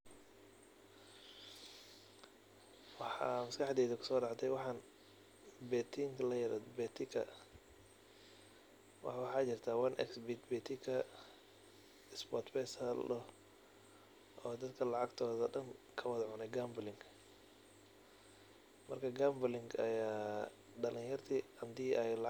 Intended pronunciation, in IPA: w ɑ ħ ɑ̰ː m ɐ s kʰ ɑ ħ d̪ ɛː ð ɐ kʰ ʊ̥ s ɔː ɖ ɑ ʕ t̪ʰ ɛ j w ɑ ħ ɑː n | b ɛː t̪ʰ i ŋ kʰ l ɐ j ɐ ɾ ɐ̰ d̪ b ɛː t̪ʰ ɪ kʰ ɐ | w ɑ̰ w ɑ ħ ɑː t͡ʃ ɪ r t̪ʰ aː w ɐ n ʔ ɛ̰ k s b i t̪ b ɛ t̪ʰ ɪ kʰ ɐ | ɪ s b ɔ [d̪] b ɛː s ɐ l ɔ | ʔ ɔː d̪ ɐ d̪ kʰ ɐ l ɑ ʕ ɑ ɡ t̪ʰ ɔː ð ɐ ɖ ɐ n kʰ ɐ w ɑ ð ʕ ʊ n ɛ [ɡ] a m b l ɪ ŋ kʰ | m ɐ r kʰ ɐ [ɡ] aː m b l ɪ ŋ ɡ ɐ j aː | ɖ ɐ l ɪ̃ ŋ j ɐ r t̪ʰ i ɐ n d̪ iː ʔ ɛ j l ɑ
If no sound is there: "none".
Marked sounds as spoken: t̪, ɡ, ɡ

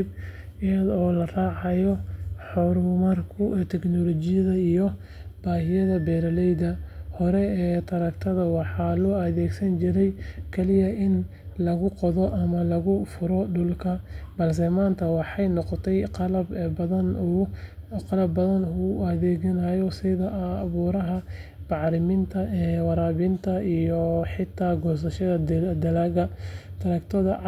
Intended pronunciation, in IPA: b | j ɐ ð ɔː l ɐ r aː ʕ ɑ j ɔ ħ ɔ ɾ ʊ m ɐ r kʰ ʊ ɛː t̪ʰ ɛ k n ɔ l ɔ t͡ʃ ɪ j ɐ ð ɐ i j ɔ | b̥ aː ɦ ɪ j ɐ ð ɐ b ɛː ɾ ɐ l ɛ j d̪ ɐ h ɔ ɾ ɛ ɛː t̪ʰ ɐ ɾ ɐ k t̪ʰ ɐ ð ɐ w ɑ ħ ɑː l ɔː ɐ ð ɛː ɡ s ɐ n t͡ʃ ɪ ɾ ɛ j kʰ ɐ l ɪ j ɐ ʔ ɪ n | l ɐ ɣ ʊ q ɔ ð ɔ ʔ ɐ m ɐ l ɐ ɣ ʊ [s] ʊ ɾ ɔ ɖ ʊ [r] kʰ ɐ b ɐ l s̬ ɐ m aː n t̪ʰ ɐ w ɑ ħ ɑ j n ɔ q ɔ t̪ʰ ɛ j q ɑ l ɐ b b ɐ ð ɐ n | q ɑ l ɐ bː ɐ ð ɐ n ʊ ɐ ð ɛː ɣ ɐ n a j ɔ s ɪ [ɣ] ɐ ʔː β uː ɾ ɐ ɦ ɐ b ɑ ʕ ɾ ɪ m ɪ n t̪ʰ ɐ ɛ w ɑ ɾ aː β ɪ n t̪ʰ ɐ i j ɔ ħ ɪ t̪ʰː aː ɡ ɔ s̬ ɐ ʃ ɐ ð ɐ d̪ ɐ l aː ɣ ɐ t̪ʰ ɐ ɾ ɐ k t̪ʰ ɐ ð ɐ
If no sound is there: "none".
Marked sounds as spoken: f, l, ð

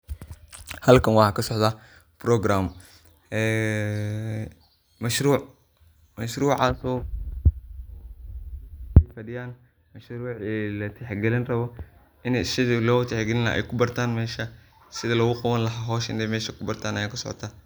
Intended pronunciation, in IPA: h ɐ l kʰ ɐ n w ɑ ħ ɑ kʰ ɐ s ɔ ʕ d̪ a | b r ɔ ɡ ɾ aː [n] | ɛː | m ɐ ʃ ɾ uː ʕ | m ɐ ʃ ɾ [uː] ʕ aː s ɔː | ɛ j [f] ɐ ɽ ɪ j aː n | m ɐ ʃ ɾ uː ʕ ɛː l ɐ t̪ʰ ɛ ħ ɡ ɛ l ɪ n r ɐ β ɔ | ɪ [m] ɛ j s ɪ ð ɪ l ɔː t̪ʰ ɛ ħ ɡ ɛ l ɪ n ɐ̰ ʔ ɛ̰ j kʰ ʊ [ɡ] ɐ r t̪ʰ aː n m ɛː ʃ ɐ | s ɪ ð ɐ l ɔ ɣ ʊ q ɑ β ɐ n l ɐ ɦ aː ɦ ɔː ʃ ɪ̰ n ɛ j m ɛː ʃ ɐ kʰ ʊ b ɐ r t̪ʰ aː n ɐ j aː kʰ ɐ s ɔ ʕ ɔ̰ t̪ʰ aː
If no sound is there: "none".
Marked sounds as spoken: m, uː, f, n, b

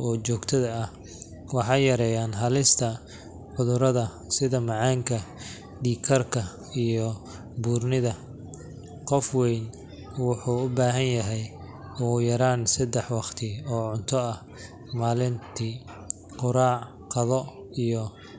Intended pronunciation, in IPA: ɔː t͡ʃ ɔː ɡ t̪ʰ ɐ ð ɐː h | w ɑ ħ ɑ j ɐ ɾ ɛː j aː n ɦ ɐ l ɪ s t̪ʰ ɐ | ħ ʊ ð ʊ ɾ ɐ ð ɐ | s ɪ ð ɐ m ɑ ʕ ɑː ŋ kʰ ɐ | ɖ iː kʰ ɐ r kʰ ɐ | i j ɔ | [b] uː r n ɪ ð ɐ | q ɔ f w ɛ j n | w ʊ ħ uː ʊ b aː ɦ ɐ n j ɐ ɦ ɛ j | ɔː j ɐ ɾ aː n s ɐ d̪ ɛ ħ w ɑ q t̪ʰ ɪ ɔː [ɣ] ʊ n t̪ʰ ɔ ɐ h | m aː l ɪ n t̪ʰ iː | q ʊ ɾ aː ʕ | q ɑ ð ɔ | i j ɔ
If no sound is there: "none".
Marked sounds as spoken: b, ʕ

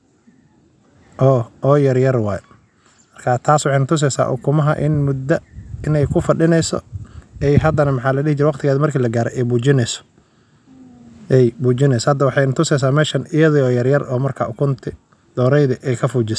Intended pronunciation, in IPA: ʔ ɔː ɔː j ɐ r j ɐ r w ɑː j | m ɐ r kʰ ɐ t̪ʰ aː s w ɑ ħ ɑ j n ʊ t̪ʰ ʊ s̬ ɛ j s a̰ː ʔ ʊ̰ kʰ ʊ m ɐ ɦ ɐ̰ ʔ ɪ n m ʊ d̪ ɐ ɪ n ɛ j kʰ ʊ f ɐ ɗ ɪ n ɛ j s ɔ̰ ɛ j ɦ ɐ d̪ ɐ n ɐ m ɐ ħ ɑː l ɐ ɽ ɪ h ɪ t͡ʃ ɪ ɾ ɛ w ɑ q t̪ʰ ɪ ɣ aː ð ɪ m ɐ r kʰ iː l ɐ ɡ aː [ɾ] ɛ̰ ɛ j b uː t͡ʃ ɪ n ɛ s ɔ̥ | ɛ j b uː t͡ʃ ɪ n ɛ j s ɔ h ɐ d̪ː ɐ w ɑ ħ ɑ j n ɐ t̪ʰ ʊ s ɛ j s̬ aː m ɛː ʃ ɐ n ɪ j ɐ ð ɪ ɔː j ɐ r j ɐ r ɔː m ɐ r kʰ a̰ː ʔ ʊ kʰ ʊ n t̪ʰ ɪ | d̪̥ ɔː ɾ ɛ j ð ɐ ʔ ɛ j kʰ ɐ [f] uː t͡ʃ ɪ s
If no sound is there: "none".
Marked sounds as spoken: ɾ, f

